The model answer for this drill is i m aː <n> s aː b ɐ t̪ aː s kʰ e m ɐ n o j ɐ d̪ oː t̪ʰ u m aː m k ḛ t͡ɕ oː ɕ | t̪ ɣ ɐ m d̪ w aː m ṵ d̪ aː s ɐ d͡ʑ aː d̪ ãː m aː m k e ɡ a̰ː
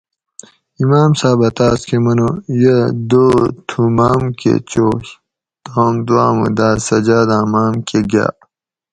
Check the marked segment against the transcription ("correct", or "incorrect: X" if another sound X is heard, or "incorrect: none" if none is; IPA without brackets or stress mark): incorrect: m